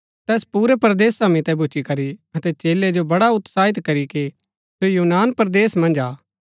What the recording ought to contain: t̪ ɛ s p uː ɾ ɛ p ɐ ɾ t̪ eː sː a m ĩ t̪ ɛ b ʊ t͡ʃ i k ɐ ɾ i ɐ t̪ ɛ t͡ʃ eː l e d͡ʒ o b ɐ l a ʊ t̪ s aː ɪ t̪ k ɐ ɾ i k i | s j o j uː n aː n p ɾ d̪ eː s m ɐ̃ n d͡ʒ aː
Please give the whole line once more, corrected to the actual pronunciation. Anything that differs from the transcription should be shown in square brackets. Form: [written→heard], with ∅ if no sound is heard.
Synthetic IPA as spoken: t̪ [ɛ→ɛː] s p uː ɾ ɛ p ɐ ɾ [t̪→d̪] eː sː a m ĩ t̪ ɛ b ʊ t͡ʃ i k ɐ ɾ i ɐ t̪ ɛ t͡ʃ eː l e d͡ʒ o b ɐ [l→ɽ] a ʊ t̪ s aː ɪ t̪ k ɐ ɾ i k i | s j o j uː n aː n p ɾ d̪ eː s m ɐ̃ n d͡ʒ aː